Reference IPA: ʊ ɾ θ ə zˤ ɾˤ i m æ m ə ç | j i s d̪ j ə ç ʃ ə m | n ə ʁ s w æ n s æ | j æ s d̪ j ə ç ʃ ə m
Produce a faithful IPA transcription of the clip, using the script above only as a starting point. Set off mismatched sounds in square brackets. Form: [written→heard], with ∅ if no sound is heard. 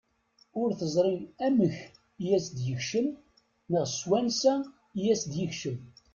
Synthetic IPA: ʊ ɾ θ ə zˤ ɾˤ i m æ m ə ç | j [i→æ] s d̪ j ə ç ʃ ə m | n ə ʁ s w æ n s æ | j æ s d̪ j ə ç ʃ ə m

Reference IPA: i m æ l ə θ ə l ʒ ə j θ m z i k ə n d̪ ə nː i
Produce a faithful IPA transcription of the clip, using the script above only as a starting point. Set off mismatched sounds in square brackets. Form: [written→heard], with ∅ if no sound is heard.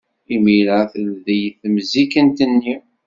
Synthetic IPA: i m [æ→i] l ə θ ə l [ʒ→ð] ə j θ m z i k ə n [d̪→t̪] ə nː i

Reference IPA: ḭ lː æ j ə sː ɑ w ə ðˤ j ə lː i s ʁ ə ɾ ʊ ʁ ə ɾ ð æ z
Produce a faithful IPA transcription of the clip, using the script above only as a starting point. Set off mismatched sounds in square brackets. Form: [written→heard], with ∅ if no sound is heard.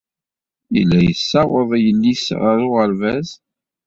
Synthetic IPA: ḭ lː æ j ə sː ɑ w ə ðˤ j ə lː i s ʁ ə ɾ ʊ ʁ ə ɾ [ð→v] æ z

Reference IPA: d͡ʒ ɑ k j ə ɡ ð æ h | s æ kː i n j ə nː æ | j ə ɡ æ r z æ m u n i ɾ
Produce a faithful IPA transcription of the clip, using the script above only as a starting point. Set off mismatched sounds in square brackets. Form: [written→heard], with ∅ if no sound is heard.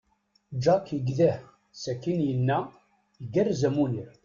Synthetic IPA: d͡ʒ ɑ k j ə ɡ ð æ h | s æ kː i n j ə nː æ | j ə ɡ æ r z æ m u n i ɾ

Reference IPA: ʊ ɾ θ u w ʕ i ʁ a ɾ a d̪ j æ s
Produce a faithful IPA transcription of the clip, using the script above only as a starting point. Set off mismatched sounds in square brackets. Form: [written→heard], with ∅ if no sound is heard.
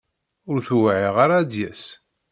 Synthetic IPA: ʊ ɾ θ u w ʕ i ʁ a ɾ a d̪ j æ s

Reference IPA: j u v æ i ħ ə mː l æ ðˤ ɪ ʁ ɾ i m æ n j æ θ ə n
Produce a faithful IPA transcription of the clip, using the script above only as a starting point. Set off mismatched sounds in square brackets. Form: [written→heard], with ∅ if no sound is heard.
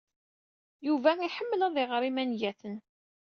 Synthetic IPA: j u v æ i ħ ə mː l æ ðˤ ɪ ʁ ɾ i m æ n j æ θ ə n

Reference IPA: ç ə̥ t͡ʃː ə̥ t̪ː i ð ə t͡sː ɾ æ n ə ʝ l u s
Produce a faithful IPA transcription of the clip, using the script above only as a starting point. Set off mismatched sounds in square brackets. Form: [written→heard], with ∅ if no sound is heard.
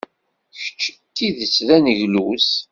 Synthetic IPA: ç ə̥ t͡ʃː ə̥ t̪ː i ð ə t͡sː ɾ æ n ə ʝ l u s

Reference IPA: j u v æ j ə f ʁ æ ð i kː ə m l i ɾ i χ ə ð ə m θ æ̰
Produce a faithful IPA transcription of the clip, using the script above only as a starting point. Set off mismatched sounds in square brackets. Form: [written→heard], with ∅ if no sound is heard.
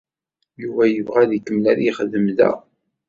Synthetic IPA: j u v æ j ə [f→v] ʁ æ ð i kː ə m l [i→æ] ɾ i χ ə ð ə m [θ→ð] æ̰

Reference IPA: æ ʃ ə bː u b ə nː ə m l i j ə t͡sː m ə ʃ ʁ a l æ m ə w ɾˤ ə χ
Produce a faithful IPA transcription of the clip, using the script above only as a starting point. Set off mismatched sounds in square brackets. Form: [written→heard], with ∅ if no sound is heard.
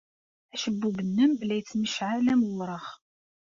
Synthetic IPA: æ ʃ ə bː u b ə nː ə m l [i→æ] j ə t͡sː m ə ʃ [ʁ→ʕ] a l æ m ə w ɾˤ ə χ

